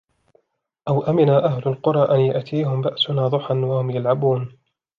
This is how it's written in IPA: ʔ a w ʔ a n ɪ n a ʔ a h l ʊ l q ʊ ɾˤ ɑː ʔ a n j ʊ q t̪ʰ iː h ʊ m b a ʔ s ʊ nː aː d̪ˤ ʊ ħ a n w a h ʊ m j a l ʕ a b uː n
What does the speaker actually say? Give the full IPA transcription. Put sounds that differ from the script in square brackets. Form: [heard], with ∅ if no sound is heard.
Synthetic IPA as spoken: ʔ a w ʔ a [m] ɪ n a ʔ a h l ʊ l q ʊ ɾˤ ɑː ʔ a n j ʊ [ʔ] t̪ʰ iː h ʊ m b a ʔ s ʊ [n] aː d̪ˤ ʊ ħ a n w a h ʊ m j a l ʕ a b uː n